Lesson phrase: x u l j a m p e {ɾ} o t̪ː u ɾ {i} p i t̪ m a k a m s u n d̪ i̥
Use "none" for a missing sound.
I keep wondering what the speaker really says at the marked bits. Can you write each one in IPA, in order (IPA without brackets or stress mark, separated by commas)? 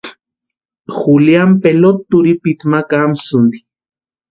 l, i